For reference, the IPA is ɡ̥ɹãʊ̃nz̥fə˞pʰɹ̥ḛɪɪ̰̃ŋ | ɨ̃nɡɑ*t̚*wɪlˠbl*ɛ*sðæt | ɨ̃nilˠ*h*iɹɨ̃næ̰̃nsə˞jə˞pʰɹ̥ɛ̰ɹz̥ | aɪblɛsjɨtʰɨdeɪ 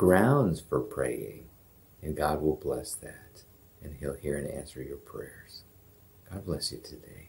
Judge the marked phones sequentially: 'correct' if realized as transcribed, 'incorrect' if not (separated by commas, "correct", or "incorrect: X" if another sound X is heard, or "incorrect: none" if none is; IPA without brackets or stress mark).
incorrect: d̚, correct, correct